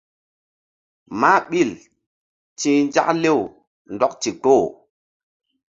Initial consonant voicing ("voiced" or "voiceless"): voiced